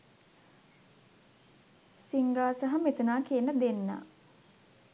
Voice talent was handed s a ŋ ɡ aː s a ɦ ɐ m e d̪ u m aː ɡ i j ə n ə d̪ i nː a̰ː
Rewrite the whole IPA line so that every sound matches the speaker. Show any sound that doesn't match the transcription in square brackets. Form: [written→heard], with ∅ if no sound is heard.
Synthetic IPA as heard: s [a→i] ŋ ɡ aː s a ɦ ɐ m e [d̪→t̪] u [m→n] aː [ɡ→k] i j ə n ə d̪ [i→e] nː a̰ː